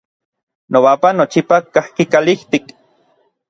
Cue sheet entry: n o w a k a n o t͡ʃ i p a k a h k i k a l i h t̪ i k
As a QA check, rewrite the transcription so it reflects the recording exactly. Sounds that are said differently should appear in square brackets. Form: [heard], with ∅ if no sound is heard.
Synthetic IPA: n o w a [p] a n o t͡ʃ i p a k a h k i k a l i h t̪ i k